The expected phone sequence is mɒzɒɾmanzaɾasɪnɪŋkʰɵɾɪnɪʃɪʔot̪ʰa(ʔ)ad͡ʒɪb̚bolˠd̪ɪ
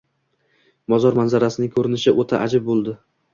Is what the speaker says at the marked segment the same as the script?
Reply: yes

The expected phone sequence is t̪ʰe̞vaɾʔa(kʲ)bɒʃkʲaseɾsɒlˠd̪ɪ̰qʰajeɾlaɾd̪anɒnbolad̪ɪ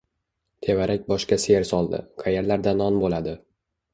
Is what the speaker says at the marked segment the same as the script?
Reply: yes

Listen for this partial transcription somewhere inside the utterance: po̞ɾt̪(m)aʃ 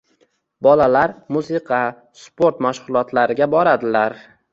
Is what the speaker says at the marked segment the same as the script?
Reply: yes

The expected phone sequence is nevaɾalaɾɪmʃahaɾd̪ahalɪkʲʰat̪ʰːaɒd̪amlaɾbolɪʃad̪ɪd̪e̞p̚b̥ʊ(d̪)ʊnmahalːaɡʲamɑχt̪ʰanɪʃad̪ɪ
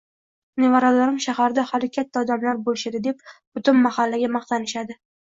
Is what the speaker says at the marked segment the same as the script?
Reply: no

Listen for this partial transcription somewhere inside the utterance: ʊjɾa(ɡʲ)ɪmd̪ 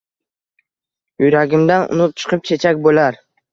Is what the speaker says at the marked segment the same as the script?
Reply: yes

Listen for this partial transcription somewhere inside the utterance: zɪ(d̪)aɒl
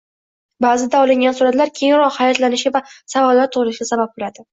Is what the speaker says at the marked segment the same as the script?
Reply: yes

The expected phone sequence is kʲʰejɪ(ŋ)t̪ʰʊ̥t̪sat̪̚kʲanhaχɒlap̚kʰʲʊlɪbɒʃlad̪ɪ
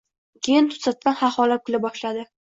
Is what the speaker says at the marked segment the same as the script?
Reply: no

